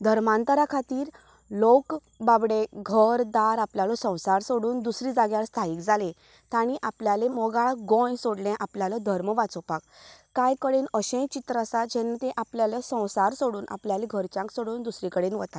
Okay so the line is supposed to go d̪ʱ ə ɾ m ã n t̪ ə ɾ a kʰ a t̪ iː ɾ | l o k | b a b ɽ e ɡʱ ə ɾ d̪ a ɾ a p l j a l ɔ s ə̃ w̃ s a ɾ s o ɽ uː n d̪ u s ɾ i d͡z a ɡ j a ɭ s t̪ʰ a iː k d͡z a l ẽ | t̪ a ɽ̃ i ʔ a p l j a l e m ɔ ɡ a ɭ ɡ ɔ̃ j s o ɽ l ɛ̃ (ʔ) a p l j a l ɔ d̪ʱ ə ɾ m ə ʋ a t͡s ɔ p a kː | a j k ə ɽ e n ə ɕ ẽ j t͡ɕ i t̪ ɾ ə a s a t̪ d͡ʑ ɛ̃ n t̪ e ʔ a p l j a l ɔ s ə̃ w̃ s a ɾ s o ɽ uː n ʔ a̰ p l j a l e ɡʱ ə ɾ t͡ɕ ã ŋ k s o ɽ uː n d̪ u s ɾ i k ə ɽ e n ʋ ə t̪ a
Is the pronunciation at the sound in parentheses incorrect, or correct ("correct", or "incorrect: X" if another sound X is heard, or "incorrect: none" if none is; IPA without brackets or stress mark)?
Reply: correct